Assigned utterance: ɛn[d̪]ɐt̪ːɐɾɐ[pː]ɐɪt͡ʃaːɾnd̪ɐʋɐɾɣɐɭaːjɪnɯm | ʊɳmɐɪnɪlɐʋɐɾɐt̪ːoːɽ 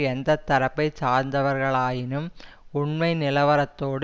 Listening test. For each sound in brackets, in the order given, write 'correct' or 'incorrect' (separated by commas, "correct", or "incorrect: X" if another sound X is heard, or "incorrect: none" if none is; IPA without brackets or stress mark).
correct, correct